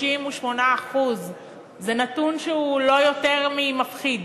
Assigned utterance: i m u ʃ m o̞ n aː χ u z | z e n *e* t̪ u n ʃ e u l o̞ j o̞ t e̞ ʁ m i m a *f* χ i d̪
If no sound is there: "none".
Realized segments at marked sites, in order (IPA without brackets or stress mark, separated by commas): a, f